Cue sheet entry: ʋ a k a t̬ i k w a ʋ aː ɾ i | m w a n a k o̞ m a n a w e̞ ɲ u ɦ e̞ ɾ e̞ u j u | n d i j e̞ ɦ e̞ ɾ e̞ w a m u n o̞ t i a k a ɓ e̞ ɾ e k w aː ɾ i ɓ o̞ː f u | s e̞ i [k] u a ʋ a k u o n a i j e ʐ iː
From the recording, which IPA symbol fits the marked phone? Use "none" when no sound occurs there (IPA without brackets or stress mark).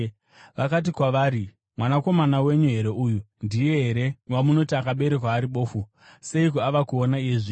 k